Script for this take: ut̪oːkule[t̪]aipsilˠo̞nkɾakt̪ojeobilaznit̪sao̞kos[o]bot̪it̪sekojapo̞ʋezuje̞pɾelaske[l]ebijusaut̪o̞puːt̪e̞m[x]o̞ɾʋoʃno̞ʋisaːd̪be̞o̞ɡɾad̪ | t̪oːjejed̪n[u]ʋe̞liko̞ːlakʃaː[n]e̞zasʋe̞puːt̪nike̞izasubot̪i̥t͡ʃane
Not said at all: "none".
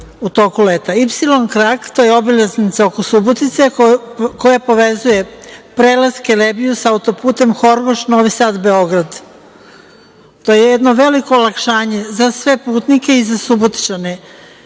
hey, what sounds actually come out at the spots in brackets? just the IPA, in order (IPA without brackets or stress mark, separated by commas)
t̪, u, l, x, o, ɲ